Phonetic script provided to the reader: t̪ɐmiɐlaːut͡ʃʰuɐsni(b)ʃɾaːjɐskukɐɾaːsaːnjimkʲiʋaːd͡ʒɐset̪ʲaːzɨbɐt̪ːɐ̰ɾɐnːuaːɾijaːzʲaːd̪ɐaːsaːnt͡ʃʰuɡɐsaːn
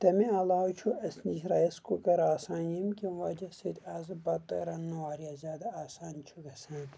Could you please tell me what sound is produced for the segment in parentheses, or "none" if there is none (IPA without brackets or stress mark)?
none